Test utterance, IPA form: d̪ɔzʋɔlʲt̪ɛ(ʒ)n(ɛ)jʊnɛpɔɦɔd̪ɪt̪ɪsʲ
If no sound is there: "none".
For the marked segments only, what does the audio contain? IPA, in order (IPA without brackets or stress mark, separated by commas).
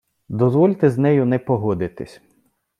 z, ɛ